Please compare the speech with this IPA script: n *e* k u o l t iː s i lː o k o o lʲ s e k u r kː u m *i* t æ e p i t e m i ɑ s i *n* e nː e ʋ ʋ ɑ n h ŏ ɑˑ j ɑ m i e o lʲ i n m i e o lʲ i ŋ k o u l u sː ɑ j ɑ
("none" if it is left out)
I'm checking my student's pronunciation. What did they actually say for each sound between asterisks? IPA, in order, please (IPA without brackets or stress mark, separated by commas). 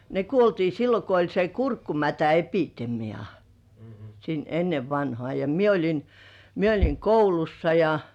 e, æ, n